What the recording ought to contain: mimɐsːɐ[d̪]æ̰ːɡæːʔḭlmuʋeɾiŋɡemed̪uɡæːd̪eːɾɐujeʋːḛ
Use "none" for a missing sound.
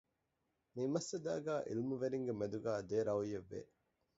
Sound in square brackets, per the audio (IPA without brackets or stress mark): d̪